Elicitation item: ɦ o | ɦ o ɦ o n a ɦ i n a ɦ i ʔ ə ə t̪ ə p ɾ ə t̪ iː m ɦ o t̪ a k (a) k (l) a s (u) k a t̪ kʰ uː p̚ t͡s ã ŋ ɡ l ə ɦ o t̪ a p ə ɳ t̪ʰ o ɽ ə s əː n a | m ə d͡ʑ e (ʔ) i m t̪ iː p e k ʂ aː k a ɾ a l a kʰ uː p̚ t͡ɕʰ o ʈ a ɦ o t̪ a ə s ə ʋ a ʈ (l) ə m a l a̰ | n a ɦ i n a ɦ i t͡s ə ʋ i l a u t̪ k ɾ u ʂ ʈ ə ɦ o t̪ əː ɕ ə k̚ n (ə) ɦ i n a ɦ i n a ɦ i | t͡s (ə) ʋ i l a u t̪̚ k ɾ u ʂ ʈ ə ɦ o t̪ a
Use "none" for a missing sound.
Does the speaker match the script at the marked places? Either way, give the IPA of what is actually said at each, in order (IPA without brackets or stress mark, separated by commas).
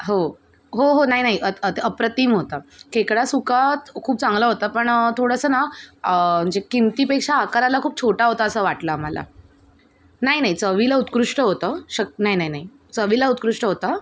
e, ɽ, u, k, l, a, ə